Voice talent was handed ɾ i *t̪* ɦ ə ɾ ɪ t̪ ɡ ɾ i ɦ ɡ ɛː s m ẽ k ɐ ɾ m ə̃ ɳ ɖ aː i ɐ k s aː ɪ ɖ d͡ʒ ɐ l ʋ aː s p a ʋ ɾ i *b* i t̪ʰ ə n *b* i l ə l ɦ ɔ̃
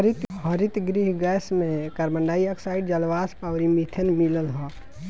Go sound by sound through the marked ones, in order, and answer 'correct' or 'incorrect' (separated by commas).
correct, incorrect, incorrect